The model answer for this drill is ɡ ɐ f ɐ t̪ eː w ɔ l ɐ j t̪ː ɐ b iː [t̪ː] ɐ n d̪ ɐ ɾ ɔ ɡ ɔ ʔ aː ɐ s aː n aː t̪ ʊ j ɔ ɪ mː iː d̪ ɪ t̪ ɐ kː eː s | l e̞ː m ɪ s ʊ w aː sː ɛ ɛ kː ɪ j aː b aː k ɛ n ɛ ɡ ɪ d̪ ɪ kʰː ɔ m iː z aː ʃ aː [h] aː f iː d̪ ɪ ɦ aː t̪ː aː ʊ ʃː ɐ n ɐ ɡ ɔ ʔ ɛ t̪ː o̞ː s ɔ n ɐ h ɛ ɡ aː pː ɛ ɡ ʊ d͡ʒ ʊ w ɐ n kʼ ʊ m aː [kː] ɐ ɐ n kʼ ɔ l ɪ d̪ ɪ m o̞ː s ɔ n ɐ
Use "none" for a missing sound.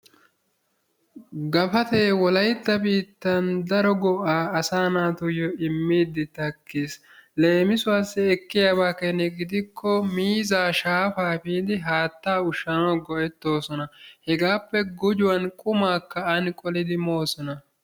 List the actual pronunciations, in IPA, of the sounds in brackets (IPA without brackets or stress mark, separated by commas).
t̪ː, f, kː